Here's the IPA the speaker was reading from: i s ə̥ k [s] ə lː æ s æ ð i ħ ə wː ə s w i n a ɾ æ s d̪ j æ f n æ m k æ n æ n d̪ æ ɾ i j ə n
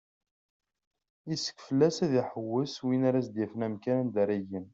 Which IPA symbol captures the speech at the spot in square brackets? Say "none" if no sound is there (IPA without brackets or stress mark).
f